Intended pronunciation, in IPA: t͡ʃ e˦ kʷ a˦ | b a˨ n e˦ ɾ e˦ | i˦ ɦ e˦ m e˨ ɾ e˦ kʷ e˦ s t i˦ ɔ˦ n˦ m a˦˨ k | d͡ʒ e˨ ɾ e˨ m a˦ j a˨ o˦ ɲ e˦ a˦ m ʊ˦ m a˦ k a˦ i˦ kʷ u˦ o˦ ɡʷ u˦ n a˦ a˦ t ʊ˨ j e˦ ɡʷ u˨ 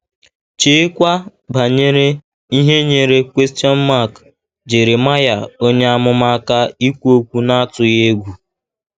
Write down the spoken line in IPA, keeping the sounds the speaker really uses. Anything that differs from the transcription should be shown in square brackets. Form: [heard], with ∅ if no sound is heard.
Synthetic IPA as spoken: t͡ʃ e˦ kʷ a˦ | b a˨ [ɲ] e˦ ɾ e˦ | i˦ ɦ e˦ [ɲ] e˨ ɾ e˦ kʷ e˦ s t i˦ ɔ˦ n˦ m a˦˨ k | d͡ʒ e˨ ɾ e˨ m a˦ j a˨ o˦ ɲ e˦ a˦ m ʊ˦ m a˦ k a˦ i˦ kʷ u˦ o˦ [kʷ] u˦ n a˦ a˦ t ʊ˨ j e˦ ɡʷ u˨